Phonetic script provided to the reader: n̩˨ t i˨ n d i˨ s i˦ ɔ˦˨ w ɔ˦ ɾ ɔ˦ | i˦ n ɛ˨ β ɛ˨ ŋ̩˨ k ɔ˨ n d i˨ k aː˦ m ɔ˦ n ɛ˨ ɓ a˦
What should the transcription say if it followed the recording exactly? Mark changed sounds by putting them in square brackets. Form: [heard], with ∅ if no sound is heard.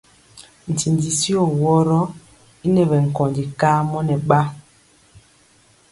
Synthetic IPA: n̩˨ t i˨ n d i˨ s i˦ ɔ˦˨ w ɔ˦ ɾ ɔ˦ | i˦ n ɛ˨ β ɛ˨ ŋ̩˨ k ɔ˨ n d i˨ k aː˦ m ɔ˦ n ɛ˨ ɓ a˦